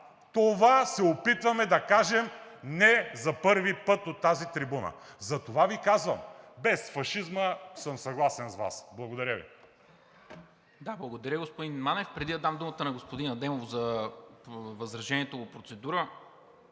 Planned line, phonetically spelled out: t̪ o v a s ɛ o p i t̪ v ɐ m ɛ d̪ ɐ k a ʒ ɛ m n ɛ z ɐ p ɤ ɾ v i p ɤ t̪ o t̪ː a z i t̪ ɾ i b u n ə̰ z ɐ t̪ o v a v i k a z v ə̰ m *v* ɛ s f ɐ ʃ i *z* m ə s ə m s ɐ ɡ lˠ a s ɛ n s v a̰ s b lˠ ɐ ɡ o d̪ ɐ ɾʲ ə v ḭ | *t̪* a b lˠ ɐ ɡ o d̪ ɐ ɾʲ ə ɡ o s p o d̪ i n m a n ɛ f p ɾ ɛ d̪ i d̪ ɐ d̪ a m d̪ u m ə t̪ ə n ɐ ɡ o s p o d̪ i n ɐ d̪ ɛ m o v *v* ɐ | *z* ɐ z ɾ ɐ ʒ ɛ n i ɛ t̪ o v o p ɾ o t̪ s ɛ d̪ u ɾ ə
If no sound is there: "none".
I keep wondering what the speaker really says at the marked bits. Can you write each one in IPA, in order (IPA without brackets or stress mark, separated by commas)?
b, z, d̪, z, v